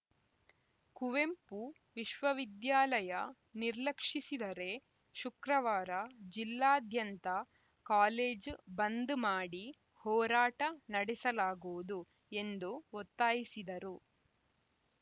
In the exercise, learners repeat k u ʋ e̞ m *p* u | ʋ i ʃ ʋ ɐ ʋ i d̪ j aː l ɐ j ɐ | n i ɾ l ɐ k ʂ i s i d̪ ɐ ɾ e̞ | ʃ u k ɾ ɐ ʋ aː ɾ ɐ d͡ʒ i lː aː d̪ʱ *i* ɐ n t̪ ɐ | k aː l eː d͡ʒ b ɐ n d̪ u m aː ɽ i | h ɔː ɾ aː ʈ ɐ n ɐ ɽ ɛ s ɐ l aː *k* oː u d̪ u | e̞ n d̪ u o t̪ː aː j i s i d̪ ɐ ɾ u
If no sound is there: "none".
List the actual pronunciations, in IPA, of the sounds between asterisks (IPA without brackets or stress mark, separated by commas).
p, j, ɡ